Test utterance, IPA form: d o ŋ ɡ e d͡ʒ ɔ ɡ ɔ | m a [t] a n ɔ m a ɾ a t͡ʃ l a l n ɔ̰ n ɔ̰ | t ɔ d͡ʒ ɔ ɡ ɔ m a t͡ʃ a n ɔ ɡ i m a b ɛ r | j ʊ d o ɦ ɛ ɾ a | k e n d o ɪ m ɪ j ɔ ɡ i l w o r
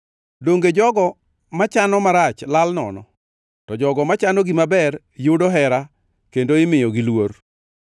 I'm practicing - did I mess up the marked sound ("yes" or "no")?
yes